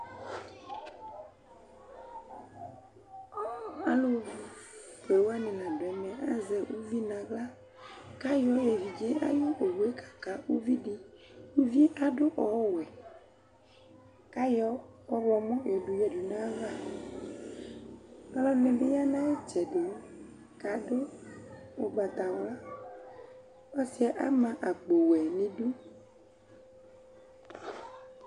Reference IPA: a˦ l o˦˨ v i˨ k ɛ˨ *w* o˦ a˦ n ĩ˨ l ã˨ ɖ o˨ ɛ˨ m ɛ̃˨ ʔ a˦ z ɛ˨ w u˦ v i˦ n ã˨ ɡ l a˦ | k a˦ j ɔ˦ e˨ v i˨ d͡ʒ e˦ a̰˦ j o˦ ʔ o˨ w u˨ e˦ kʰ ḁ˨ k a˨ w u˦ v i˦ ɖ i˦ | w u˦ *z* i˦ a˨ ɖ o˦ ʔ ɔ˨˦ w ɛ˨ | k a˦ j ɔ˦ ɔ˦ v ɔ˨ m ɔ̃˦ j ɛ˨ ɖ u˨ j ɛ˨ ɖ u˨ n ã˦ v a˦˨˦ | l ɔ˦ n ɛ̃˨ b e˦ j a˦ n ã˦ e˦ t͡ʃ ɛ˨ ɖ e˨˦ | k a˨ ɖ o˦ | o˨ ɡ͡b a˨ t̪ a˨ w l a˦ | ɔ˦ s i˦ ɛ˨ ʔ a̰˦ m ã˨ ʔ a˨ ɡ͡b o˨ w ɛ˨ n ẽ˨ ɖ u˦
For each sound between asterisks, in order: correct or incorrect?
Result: correct, incorrect

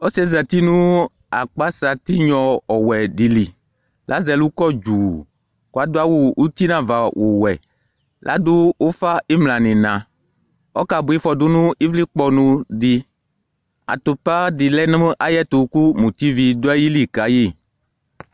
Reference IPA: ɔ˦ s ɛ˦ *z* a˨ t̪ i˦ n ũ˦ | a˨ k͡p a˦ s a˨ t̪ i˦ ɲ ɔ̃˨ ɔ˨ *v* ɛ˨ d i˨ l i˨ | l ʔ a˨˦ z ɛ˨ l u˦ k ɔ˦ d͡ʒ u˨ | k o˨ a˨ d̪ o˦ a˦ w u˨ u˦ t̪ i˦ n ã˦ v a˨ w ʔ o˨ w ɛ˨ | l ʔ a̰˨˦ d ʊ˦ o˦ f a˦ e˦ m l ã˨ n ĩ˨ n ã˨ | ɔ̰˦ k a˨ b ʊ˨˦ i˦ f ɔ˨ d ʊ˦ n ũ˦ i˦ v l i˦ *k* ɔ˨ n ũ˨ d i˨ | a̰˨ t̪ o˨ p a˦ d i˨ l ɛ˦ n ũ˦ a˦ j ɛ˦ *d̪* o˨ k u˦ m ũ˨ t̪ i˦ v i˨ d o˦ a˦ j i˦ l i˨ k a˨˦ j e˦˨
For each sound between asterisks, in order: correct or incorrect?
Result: correct, incorrect, incorrect, incorrect

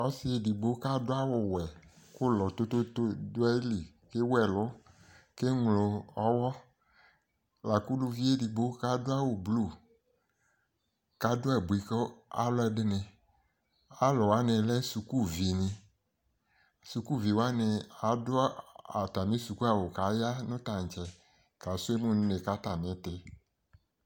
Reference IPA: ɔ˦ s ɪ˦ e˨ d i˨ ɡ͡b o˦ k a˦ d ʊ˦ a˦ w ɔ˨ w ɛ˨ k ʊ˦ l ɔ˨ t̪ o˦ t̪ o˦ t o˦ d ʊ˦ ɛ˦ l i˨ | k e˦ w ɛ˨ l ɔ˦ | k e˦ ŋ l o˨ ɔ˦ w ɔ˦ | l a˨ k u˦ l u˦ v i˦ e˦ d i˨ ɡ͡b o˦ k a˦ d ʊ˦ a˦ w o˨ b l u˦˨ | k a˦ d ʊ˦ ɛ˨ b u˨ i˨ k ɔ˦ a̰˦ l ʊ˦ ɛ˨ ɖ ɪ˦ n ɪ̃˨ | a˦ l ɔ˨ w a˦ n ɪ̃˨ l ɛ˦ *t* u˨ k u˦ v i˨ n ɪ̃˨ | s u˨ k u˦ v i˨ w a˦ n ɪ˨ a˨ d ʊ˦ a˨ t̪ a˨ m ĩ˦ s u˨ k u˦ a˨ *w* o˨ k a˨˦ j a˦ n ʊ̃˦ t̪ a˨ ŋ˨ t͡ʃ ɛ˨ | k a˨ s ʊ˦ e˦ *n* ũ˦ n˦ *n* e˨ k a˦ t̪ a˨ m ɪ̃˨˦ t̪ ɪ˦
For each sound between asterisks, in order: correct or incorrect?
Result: incorrect, correct, incorrect, correct

